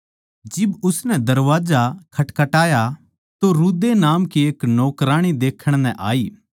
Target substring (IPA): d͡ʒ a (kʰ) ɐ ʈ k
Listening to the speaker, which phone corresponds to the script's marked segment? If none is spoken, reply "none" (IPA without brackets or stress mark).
kʰ